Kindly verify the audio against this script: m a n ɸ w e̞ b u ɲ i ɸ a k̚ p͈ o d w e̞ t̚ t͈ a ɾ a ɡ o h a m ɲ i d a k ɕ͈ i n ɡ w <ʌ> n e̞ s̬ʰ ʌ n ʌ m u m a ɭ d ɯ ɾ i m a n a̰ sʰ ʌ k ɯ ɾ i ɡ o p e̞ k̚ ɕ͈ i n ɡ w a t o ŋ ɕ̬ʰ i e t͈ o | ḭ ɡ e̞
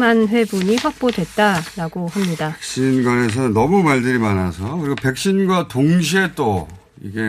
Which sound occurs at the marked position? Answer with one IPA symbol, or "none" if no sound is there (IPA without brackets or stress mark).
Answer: a